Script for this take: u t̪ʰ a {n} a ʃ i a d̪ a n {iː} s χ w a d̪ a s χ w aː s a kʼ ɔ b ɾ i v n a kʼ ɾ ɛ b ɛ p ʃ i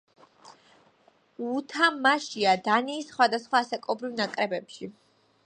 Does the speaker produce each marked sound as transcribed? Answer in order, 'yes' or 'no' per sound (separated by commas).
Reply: no, yes